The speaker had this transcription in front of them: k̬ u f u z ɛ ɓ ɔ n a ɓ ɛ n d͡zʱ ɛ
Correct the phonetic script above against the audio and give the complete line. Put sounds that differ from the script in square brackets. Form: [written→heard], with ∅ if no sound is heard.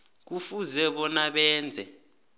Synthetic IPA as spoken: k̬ u f u z ɛ ɓ ɔ n a ɓ [ɛ→ɛː] n d͡zʱ ɛ